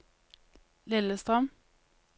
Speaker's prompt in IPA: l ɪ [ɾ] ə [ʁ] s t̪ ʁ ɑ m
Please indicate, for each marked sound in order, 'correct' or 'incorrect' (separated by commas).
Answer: incorrect, incorrect